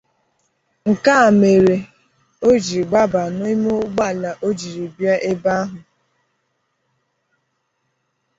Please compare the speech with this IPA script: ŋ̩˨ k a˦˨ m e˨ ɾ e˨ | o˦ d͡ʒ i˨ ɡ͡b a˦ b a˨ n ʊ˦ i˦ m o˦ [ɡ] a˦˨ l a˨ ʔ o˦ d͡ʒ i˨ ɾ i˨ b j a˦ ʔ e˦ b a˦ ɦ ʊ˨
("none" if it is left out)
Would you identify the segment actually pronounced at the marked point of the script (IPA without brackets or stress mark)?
ɡ͡b